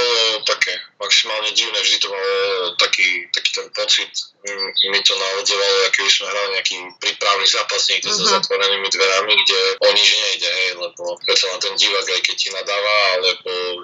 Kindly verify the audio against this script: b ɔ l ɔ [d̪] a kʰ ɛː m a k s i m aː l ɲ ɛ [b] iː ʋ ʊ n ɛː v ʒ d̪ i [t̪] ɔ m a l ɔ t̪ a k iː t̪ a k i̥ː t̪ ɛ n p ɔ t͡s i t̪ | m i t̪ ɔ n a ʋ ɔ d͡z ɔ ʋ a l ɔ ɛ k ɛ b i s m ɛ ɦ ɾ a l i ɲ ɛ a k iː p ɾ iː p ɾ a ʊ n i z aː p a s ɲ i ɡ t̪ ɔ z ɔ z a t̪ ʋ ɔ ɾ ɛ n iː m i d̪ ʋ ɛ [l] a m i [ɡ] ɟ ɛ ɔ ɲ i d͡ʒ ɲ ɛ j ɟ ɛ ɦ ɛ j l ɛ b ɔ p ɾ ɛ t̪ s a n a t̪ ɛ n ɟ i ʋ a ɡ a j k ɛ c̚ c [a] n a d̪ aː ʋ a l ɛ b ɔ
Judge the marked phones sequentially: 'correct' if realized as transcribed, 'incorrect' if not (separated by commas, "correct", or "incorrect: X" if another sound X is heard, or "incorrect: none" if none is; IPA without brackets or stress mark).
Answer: incorrect: t̪, incorrect: ɟ, correct, incorrect: ɾ, correct, incorrect: i